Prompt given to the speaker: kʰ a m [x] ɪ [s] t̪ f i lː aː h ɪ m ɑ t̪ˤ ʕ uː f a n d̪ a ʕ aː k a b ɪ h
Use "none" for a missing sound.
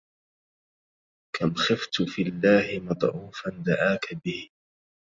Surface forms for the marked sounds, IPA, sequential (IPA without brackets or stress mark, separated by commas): x, f